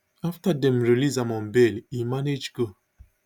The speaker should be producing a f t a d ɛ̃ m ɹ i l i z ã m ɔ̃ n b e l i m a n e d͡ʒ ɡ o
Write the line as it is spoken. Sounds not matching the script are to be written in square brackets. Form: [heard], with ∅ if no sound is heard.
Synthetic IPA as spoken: a f t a d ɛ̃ m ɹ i l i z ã m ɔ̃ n b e l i m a n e d͡ʒ ɡ o